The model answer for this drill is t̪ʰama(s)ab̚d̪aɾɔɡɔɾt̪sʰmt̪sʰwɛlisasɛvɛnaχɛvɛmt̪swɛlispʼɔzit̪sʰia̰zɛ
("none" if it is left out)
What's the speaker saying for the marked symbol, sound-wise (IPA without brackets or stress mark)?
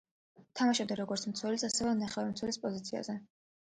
ʃ